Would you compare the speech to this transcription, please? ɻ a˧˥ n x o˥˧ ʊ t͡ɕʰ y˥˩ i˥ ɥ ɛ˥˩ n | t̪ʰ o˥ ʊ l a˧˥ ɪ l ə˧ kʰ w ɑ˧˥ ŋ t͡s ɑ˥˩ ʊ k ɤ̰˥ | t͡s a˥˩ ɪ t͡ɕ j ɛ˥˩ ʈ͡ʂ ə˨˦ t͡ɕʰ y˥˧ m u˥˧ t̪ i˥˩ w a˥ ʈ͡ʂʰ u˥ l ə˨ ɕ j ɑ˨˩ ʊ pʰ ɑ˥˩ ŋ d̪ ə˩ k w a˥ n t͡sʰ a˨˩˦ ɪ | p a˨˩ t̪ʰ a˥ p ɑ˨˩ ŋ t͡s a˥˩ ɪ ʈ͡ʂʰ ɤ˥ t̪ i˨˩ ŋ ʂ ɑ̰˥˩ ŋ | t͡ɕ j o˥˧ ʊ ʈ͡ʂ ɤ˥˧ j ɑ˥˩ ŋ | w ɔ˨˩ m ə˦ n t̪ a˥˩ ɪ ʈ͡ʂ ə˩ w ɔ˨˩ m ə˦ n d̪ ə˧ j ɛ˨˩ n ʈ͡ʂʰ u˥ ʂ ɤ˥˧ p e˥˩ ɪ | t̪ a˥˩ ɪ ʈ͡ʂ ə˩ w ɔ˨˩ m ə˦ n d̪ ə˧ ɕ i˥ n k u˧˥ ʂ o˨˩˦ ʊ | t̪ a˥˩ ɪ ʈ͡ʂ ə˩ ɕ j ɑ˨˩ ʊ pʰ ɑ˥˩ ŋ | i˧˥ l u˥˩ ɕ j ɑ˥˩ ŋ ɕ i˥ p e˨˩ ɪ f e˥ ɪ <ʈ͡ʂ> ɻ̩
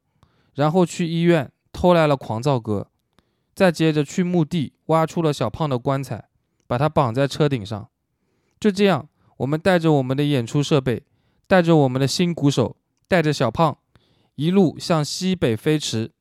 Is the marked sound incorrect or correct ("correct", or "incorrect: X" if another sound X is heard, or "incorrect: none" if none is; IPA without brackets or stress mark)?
incorrect: ʈ͡ʂʰ